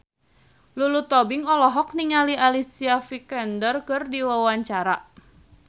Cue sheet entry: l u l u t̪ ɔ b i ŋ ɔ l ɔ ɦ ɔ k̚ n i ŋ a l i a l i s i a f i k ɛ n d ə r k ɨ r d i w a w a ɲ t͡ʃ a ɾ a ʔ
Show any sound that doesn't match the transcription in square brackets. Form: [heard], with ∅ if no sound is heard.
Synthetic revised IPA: l u l u t̪ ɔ b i ŋ ɔ l ɔ ɦ ɔ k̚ n i ŋ a l i a l i s i a f i k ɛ n d ə r k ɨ r d i w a w a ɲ t͡ʃ a ɾ a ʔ